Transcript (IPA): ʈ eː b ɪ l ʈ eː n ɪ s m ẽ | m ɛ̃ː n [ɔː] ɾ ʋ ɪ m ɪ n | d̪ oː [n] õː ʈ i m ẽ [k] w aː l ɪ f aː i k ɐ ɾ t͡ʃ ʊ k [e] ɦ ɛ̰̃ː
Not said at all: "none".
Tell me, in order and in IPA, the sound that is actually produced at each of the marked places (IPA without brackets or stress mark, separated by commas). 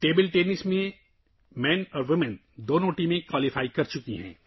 ɔː, n, k, i